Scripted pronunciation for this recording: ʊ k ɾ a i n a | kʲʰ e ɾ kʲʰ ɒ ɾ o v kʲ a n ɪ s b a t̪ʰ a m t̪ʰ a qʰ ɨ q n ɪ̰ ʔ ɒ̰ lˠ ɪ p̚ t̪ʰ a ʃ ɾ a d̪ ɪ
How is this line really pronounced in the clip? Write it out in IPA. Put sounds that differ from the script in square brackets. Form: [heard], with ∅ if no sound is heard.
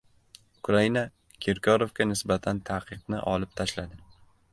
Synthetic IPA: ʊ k ɾ a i n a | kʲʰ e ɾ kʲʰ ɒ ɾ o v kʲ a n ɪ s b a t̪ʰ a [n] t̪ʰ a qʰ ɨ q n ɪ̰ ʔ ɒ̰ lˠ ɪ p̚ t̪ʰ a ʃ [l] a d̪ ɪ